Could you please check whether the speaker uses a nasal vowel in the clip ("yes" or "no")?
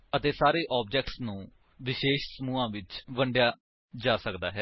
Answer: yes